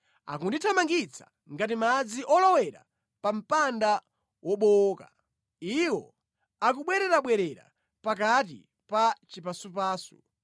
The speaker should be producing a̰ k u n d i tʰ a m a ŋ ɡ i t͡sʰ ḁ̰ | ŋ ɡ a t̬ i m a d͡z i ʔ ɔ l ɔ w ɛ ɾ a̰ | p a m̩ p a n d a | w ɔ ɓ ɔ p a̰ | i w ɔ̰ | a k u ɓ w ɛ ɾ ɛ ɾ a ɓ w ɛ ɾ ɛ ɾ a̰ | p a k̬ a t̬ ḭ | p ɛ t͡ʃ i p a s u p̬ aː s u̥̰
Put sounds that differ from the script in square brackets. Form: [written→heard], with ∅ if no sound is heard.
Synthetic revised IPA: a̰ k u n d i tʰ a m a ŋ ɡ i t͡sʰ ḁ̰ | ŋ ɡ a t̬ i m a d͡z i ʔ ɔ l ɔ w ɛ ɾ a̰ | p a m̩ p a n d a | w ɔ ɓ ɔ [p→k] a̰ | i w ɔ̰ | a k u ɓ w ɛ ɾ ɛ ɾ a ɓ w ɛ ɾ ɛ ɾ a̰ | p a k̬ a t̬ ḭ | p [ɛ→a] t͡ʃ i p a s u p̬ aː s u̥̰